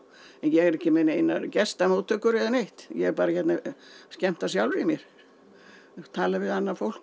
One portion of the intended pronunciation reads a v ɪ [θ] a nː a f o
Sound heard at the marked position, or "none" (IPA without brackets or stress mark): ð